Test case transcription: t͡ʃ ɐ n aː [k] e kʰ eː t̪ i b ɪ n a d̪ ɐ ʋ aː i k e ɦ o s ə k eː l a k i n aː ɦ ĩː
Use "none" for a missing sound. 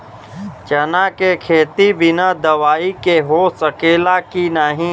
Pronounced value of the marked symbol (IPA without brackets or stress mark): k